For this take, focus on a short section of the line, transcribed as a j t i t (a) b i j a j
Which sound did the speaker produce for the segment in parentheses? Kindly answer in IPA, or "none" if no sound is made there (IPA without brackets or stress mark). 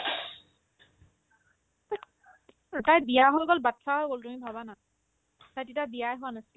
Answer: a